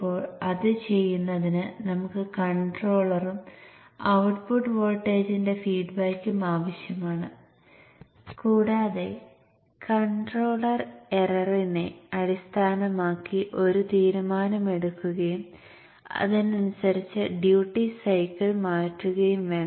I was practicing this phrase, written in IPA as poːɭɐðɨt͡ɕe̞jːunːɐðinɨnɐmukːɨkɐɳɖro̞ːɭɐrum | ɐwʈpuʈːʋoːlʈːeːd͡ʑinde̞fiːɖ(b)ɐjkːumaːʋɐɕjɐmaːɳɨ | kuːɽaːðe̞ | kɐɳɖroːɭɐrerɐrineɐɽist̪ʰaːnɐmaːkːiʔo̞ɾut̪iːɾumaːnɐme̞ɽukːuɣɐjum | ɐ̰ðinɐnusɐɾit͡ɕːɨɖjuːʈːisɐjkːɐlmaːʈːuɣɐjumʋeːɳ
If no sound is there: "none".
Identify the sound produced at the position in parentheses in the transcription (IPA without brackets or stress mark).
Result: b